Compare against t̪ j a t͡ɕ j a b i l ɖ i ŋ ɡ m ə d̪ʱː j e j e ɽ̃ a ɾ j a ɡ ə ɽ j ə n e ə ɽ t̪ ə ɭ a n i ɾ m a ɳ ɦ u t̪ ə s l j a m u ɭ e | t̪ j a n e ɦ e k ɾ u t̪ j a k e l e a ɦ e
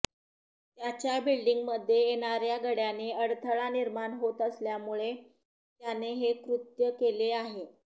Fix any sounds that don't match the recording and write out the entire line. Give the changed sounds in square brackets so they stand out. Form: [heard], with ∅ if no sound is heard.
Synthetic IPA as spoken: t̪ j a t͡ɕ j a b i l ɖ i ŋ ɡ m ə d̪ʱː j e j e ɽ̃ a ɾ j a ɡ ə ɽ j [a] n e ə ɽ [t̪ʰ] ə ɭ a n i ɾ m a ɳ ɦ [o] t̪ ə s l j a m u ɭ e | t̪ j a n e ɦ e k ɾ u t̪ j [ə] k e l e a ɦ e